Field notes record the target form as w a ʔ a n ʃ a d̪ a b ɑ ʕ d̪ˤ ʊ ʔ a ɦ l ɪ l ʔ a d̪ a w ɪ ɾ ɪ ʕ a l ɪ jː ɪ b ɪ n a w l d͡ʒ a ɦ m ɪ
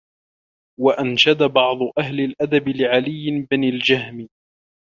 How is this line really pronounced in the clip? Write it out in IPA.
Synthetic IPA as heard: w a ʔ a n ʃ a d̪ a b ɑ ʕ d̪ˤ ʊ ʔ a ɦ l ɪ l ʔ a d̪ a b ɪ l ɪ ʕ a l ɪ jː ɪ b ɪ n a l d͡ʒ a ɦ m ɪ